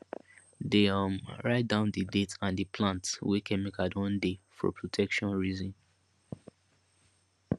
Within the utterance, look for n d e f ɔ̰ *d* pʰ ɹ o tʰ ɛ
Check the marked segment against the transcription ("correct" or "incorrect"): incorrect